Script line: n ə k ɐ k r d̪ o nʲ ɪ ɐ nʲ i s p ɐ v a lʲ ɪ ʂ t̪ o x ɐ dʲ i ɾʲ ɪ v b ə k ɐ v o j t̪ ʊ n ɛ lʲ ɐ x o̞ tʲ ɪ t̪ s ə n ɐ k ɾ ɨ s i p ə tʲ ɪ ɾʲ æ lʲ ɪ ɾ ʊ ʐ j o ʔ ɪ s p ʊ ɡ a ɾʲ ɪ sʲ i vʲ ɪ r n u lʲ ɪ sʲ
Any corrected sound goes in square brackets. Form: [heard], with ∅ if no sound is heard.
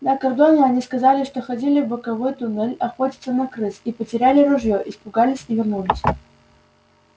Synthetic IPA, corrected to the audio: n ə k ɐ [∅] r d̪ o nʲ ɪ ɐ nʲ i s [k] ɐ [z] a lʲ ɪ ʂ t̪ o x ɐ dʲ i [lʲ] ɪ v b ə k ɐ v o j t̪ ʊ n ɛ lʲ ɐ x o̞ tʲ ɪ t̪ s ə n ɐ k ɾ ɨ s i p ə tʲ ɪ ɾʲ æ lʲ ɪ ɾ ʊ ʐ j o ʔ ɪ s p ʊ ɡ a [lʲ] ɪ sʲ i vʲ ɪ r n u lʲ ɪ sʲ